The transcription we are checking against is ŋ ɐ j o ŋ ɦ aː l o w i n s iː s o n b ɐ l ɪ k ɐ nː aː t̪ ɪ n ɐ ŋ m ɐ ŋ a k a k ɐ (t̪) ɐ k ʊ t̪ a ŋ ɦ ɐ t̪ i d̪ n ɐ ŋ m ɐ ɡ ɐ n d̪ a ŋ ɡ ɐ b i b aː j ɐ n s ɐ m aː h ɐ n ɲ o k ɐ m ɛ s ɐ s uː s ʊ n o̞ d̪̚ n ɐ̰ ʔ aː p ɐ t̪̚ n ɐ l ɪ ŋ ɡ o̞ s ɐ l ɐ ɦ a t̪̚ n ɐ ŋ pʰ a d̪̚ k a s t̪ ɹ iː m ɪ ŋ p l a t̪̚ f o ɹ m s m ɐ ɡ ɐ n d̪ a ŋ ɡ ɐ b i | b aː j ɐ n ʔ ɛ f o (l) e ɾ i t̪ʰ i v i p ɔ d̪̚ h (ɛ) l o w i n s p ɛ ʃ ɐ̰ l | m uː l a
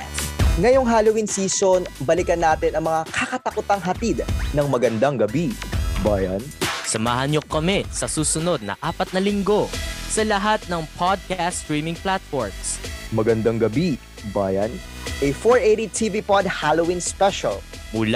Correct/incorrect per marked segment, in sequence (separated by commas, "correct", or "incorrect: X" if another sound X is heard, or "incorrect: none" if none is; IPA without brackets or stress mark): correct, incorrect: ɹ, incorrect: a